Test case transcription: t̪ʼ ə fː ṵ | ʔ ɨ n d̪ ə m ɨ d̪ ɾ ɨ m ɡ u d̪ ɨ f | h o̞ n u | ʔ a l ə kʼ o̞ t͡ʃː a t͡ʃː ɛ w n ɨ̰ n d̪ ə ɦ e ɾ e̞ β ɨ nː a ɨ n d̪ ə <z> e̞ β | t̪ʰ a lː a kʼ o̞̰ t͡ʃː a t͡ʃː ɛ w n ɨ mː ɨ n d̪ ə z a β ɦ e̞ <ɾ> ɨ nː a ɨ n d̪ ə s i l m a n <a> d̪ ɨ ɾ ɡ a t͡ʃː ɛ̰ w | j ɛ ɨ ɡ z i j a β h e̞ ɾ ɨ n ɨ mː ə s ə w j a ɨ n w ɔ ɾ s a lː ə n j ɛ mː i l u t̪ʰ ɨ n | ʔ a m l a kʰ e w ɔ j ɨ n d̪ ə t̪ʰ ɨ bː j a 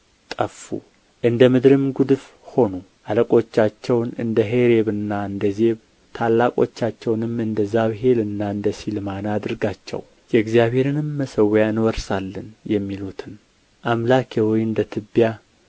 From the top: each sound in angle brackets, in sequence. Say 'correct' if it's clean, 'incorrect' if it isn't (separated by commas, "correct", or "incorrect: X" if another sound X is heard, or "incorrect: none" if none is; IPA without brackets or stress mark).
correct, incorrect: l, correct